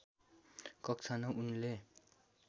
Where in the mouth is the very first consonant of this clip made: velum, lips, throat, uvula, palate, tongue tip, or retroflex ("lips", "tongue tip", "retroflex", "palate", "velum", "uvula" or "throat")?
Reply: velum